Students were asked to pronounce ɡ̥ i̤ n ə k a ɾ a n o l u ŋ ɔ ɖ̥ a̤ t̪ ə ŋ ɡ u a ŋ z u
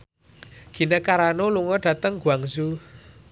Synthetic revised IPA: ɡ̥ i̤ n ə k a ɾ a n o l u ŋ ɔ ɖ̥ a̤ t̪ ə ŋ ɡ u a ŋ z u

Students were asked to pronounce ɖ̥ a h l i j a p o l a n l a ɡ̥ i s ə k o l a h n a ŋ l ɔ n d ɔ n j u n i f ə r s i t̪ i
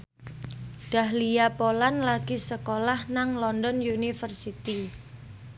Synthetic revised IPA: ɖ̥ a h l i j a p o l a n l a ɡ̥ i s ə k o l a h n a ŋ l ɔ n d ɔ n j u n i f ə r s i t̪ i

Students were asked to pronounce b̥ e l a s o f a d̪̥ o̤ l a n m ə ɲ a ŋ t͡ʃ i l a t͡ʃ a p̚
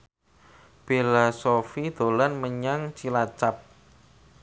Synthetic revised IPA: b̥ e l a s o f i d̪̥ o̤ l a n m ə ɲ a ŋ t͡ʃ i l a t͡ʃ a p̚

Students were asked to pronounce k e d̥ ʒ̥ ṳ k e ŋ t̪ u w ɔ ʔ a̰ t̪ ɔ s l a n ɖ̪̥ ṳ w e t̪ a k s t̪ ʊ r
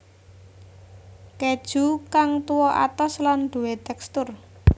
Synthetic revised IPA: k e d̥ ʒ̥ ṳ k a ŋ t̪ u w ɔ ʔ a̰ t̪ ɔ s l a n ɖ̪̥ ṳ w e t̪ ɛ k s t̪ ʊ r

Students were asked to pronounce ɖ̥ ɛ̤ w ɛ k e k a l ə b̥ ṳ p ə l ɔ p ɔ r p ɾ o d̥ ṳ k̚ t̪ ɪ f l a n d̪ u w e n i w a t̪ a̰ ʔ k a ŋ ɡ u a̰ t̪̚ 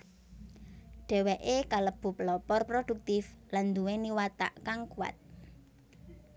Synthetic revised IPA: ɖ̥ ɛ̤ w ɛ ʔ e k a l ə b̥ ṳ p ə l ɔ p ɔ r p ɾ o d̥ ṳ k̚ t̪ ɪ f l a n d̪ u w e n i w a t̪ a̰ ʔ k a ŋ k u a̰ t̪̚

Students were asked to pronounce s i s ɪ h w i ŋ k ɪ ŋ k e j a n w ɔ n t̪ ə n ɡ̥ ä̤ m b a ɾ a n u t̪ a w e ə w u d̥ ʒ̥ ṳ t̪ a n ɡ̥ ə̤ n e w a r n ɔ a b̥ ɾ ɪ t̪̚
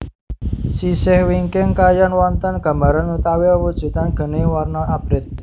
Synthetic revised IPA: s i s ɪ h w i ŋ k ɪ ŋ k a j a n w ɔ n t̪ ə n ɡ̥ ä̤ m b a ɾ a n u t̪ a w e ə w u d̥ ʒ̥ ṳ t̪ a n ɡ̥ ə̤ n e w a r n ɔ a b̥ ɾ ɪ t̪̚

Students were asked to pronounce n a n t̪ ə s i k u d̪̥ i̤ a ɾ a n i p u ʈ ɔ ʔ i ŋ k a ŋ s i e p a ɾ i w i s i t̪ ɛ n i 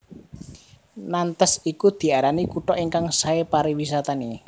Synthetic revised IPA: n a n t̪ ə s i k u d̪̥ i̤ a ɾ a n i k u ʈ ɔ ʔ i ŋ k a ŋ s a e p a ɾ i w i s a t̪ a n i

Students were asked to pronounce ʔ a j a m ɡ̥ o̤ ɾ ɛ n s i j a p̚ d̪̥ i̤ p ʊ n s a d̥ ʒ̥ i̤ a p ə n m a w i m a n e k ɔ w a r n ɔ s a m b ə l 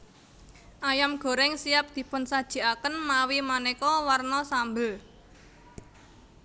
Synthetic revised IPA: ʔ a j a m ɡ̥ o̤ ɾ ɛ ŋ s i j a p̚ d̪̥ i̤ p ʊ n s a d̥ ʒ̥ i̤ a k ə n m a w i m a n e k ɔ w a r n ɔ s a m b ə l

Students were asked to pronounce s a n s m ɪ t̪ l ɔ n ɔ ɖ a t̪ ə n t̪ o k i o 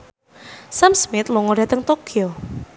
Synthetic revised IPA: s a m s m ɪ t̪ l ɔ ŋ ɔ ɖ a t̪ ə ŋ t̪ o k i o

